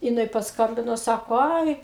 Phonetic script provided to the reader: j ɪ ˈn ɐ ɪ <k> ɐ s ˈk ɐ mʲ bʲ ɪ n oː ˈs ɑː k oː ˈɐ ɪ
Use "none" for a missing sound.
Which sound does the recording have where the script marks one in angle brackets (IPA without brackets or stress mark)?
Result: p